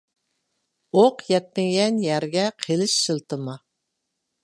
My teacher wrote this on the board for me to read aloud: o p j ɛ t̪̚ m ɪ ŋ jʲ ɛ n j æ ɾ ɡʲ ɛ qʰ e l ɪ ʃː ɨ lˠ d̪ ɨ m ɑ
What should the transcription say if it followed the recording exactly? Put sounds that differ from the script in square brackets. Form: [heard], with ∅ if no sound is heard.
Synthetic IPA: o [q] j ɛ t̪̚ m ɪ ŋ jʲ ɛ n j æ ɾ ɡʲ ɛ qʰ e l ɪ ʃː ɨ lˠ [t̪] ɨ m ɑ